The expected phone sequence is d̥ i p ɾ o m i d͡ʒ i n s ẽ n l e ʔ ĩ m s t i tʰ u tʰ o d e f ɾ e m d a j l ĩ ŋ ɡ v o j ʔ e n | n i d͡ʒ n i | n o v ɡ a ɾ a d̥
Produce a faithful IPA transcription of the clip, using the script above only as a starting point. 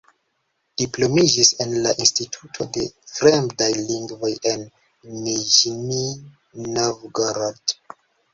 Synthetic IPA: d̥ i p l o m i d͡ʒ i s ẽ n l a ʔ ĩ n s t i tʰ u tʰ o d e f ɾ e m d a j l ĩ ŋ ɡ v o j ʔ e n | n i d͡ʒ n i | n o v ɡ a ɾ a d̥